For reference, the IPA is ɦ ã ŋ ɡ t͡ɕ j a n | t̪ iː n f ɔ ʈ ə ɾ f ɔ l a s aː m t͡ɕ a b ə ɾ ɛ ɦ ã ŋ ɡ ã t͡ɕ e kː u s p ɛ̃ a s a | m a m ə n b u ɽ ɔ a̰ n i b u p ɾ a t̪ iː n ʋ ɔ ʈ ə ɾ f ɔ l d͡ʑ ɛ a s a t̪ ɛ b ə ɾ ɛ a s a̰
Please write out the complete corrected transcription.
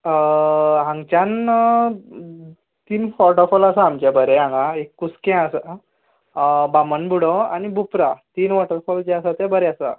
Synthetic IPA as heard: ɦ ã ŋ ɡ t͡ɕ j a n | t̪ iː n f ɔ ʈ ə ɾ f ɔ l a s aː m t͡ɕ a b ə ɾ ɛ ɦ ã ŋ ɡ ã e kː u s k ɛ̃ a s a | b a m ə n b u ɽ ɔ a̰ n i b u p ɾ a t̪ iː n ʋ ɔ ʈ ə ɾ f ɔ l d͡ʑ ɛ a s a t̪ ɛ b ə ɾ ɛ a s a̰